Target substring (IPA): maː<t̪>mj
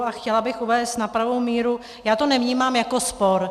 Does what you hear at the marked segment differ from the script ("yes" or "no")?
yes